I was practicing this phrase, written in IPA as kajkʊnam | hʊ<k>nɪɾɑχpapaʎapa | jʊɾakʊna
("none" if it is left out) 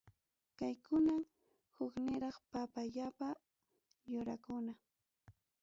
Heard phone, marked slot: k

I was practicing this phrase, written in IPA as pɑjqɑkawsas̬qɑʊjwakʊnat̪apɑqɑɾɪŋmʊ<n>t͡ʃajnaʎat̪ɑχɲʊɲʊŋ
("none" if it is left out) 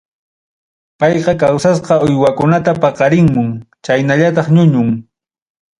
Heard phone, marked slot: ŋ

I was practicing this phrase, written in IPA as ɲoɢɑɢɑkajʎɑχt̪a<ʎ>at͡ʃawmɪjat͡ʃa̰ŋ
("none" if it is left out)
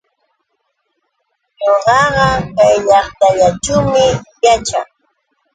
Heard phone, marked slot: ʎ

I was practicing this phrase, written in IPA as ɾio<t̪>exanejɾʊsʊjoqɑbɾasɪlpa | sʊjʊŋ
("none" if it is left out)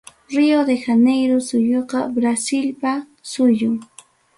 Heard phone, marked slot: d̪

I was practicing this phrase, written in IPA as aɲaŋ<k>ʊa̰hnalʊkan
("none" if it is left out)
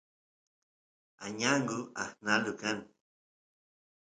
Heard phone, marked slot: ɡ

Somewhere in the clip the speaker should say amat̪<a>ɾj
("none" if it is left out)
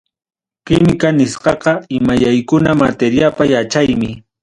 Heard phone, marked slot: e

